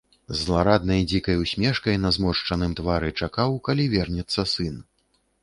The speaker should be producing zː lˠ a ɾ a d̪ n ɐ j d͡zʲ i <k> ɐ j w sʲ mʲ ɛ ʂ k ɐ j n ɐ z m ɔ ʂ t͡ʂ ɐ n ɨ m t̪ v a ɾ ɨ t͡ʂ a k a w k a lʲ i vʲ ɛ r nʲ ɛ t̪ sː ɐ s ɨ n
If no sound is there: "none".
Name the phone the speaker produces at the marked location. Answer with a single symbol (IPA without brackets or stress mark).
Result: k